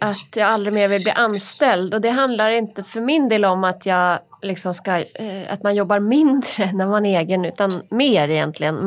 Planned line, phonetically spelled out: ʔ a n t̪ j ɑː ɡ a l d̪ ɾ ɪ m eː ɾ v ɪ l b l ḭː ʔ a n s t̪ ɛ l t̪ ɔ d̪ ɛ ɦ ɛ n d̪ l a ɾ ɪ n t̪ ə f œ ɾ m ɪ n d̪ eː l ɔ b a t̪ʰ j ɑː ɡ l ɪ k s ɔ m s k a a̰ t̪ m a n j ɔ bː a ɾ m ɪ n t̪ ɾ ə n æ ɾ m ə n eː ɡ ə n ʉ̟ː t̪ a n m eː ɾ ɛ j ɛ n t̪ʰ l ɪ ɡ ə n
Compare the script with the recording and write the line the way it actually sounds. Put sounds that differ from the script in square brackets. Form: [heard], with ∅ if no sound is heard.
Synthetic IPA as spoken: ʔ a [∅] t̪ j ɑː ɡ a l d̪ ɾ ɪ m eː ɾ v ɪ l b l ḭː ʔ a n s t̪ ɛ l [d̪] ɔ d̪ ɛ ɦ [a] n d̪ l a ɾ ɪ n t̪ ə f œ ɾ m ɪ n d̪ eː l ɔ [m] a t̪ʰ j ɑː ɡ l ɪ k s ɔ m s k a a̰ t̪ m a n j ɔ bː a ɾ m ɪ n [d̪] ɾ ə n æ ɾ m [a] n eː ɡ ə n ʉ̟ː t̪ a n m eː ɾ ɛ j ɛ n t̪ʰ l ɪ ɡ ə n